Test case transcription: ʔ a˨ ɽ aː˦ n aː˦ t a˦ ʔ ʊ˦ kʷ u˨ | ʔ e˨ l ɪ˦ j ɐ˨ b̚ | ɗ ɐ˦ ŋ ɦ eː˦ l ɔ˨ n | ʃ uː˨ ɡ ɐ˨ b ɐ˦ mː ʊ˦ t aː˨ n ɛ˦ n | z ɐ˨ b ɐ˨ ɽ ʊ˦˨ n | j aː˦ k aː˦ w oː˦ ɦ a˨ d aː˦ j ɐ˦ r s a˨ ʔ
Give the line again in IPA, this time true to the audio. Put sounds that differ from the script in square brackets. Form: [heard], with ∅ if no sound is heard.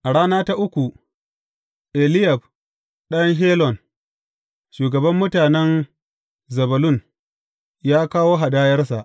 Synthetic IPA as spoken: ʔ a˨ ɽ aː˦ n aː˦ t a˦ ʔ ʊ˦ kʷ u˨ | ʔ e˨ l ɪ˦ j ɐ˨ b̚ | ɗ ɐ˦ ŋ ɦ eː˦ l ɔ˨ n | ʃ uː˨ ɡ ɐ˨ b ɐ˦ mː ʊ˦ t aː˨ n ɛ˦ n | z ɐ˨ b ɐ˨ [l] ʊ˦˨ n | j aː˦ k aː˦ w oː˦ ɦ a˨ d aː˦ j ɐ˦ r s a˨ ʔ

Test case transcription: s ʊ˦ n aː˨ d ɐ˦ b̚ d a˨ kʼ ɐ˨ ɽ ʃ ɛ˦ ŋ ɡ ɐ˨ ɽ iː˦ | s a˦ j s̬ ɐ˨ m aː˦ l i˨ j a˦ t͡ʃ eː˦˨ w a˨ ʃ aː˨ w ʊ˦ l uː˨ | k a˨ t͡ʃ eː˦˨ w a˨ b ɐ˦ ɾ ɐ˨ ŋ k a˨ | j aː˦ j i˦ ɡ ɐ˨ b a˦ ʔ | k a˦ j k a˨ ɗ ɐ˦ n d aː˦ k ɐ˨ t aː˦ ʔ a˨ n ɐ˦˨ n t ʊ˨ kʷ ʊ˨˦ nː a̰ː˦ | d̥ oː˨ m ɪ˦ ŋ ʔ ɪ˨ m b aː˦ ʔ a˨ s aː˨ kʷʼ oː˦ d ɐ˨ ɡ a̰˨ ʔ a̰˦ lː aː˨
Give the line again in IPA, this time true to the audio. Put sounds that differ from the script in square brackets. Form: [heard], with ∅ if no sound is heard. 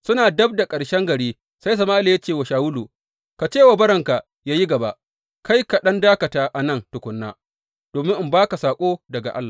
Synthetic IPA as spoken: s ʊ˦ n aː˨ d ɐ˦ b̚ d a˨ kʼ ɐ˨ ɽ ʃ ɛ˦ ŋ ɡ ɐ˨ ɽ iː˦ | s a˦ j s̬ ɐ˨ m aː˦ l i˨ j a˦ t͡ʃ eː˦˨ w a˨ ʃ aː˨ w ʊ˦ l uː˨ | k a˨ t͡ʃ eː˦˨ w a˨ b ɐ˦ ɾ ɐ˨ ŋ k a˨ | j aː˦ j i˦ ɡ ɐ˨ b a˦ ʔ | k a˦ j k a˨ ɗ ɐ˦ n d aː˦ k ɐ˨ t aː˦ ʔ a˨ n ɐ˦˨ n t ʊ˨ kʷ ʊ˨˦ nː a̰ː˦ | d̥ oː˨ m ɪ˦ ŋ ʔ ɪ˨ m b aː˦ [k] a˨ s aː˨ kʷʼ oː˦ d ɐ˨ ɡ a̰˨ ʔ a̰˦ lː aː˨

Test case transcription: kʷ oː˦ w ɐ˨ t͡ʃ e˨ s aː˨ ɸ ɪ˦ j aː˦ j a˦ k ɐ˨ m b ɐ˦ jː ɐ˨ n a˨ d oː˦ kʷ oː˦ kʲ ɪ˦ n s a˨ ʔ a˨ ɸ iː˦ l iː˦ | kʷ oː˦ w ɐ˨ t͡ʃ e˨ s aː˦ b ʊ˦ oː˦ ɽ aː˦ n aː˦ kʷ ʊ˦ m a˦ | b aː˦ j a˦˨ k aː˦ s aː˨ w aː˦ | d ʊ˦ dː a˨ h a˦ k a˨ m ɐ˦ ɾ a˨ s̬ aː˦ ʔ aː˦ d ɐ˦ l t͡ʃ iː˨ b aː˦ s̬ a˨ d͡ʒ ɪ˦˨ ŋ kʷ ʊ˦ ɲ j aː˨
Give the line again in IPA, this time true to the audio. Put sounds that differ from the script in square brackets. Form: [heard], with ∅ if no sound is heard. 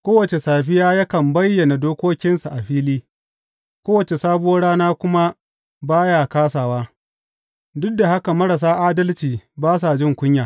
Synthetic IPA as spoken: kʷ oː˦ w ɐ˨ t͡ʃ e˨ s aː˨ ɸ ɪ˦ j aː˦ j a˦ k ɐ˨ m b ɐ˦ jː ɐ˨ n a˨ d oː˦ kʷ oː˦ kʲ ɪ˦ n s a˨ ʔ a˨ ɸ iː˦ l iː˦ | kʷ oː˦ w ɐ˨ t͡ʃ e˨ s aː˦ b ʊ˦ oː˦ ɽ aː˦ n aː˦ kʷ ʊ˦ m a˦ | b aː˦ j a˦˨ k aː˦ s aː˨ w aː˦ | d ʊ˦ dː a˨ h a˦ k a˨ m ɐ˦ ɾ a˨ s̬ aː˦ ʔ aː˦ d ɐ˦ l t͡ʃ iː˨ b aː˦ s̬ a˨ d͡ʒ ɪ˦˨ ŋ kʷ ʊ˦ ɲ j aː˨

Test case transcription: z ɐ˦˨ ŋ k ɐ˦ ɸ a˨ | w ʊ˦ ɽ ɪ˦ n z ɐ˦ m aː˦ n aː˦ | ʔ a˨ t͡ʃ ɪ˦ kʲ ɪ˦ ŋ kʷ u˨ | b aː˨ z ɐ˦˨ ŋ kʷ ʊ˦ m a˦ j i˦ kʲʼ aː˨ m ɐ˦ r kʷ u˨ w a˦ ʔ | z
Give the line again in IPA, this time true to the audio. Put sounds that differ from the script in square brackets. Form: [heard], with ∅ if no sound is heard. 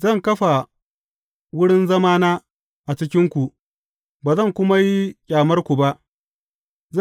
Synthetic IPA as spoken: z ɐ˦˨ ŋ k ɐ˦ ɸ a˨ | w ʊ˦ ɽ ɪ˦ n z ɐ˦ m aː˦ n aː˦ | ʔ a˨ t͡ʃ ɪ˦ kʲ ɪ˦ ŋ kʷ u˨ | b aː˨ z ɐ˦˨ ŋ kʷ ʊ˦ m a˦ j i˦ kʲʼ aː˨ m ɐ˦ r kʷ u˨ [b] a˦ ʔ | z

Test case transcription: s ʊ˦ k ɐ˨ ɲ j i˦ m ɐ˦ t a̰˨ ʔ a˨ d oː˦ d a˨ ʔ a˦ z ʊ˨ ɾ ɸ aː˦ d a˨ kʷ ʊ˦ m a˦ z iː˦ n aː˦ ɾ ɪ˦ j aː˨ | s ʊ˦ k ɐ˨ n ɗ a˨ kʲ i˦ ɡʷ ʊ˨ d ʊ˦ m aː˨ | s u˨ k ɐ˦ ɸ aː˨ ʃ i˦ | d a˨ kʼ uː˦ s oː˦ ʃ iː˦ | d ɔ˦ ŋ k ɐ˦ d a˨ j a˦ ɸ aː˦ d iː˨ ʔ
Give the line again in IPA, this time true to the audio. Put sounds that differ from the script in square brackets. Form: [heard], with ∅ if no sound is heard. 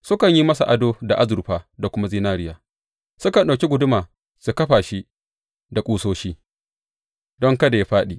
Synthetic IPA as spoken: s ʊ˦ k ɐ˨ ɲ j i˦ m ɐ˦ [s] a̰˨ ʔ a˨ d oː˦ d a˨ ʔ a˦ z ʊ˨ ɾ ɸ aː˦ d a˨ kʷ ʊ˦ m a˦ z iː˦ n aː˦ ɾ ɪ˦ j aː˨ | s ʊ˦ k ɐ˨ n ɗ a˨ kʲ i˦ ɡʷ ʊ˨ d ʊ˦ m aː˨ | s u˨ k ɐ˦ ɸ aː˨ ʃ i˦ | d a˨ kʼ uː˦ s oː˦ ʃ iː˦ | d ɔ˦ ŋ k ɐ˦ d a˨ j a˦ ɸ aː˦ [ɗ] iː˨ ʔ

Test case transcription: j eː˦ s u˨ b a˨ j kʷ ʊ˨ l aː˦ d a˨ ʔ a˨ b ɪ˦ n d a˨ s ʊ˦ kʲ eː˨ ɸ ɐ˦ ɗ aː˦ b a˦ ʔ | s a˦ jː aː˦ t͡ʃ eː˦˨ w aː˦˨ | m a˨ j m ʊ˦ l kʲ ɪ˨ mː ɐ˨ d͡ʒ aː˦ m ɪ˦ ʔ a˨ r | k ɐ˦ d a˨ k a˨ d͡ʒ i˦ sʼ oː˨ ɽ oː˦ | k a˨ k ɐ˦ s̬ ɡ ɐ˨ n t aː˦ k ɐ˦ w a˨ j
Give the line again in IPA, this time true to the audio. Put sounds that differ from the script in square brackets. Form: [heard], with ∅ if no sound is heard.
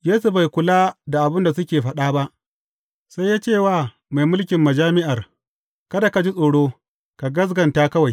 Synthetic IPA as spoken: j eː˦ s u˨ b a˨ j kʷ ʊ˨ l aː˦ d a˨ ʔ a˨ b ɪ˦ n d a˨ s ʊ˦ kʲ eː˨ ɸ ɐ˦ ɗ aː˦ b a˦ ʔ | s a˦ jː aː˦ t͡ʃ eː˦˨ w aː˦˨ | m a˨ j m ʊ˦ l kʲ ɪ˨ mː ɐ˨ d͡ʒ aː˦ m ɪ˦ ʔ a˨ r | k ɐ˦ d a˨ k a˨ d͡ʒ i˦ sʼ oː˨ ɽ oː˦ | k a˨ [ɡ] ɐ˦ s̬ ɡ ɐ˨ n t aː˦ k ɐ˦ w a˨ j

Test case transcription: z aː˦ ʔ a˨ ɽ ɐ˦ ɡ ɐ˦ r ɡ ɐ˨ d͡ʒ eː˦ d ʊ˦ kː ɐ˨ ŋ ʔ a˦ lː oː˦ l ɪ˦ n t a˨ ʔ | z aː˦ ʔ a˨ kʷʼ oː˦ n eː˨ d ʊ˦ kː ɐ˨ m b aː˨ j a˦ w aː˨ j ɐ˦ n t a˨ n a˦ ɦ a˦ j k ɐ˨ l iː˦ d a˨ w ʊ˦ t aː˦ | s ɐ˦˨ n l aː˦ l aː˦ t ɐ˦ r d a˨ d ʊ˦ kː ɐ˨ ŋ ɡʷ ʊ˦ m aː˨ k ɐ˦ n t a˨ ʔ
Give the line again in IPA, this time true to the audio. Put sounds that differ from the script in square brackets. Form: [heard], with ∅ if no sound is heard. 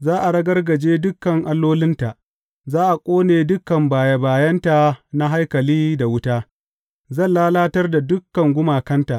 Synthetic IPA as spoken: z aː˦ ʔ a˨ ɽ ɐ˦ ɡ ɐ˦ r ɡ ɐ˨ d͡ʒ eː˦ d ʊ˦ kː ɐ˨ ŋ ʔ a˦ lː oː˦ l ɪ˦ n t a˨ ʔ | z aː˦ ʔ a˨ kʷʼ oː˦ n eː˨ d ʊ˦ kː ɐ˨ m b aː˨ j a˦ [b] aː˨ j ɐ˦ n t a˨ n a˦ ɦ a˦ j k ɐ˨ l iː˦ d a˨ w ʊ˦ t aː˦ | [z] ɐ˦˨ n l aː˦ l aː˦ t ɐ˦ r d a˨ d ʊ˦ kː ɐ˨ ŋ ɡʷ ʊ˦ m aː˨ k ɐ˦ n t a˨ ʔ

